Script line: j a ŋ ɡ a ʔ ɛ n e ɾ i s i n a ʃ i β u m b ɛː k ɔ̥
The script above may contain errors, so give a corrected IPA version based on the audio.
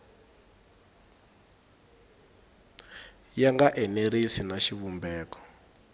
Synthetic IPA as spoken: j a ŋ ɡ a ʔ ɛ n e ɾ i s i n a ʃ i β u m b ɛː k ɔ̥